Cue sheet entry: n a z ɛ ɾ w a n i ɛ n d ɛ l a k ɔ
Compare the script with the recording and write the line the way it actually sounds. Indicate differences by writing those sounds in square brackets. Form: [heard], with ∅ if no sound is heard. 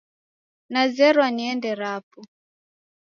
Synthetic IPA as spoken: n a z ɛ ɾ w a n i ɛ n d ɛ [ɾ] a [p] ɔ